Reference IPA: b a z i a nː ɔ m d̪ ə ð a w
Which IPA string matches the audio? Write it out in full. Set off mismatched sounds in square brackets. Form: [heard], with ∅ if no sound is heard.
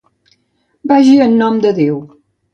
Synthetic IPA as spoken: b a [ʒ] i [ə] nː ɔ m d̪ ə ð [e] w